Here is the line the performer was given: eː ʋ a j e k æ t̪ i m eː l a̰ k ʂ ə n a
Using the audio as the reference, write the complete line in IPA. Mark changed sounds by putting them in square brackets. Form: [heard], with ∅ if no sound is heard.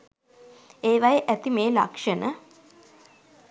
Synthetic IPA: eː ʋ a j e [ʔ] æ t̪ i m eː l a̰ k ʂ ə n [ə]

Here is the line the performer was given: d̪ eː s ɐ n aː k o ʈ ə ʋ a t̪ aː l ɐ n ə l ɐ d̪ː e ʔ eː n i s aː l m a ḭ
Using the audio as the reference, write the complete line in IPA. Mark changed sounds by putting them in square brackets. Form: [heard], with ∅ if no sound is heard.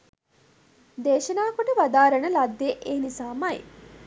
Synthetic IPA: d̪ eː [ʃ] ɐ n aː k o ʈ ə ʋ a [d̪] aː [ɾ] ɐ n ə l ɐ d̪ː e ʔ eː n i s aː [∅] m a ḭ

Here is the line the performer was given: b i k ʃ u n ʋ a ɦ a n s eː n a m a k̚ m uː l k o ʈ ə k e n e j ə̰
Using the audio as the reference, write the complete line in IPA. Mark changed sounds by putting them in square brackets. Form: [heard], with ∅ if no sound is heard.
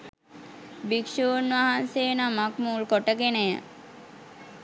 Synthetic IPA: b i k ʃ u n ʋ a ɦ a n s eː n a m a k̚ m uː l k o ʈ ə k e n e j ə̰

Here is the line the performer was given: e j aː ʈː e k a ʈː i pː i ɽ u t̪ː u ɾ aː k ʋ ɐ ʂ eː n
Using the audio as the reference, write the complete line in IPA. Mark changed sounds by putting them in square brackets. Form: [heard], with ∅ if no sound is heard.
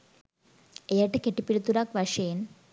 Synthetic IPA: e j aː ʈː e k [e] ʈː i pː i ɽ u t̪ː u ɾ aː k ʋ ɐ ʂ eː n

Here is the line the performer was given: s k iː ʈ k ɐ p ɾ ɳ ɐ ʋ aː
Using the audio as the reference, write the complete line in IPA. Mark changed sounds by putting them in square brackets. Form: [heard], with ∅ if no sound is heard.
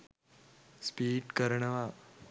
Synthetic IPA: s [p] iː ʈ k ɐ [∅] ɾ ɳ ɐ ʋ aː

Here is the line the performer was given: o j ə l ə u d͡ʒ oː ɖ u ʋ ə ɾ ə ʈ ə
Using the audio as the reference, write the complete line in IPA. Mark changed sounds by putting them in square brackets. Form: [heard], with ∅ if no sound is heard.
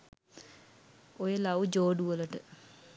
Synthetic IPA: o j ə l [a] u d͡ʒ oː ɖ u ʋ ə [l] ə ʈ ə

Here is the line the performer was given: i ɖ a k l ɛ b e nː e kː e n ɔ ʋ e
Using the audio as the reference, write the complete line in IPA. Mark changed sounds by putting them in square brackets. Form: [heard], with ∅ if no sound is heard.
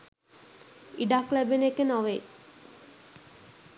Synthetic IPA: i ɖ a k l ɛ b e [n] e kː e n ɔ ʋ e

